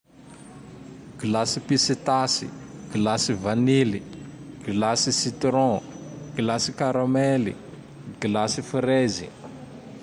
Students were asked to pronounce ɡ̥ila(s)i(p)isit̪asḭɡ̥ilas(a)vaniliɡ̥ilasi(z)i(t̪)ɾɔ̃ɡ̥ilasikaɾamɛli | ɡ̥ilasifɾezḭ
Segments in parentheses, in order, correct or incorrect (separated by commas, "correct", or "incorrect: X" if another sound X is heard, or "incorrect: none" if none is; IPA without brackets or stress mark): correct, correct, incorrect: i, incorrect: s, correct